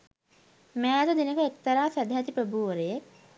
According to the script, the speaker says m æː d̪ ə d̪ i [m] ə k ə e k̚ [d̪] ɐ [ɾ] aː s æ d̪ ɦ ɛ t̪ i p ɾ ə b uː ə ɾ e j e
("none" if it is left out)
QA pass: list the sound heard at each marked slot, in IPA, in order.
n, t̪, ɾ

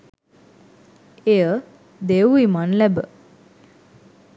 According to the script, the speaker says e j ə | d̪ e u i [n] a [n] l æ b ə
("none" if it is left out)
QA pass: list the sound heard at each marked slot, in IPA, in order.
m, n

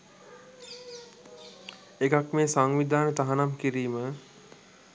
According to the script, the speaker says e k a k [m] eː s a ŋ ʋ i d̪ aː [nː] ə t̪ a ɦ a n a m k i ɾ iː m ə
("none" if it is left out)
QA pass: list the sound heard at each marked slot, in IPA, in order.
m, n

